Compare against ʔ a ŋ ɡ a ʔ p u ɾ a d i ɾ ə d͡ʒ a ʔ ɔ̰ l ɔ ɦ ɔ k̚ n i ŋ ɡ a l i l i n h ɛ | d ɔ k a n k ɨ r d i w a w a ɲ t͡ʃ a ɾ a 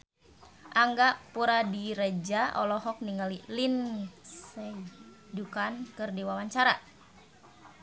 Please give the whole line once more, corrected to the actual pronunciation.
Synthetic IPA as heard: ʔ a ŋ ɡ a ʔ p u ɾ a d i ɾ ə d͡ʒ a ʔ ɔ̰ l ɔ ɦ ɔ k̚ n i ŋ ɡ a l i l i n s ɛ | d u k a n k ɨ r d i w a w a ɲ t͡ʃ a ɾ a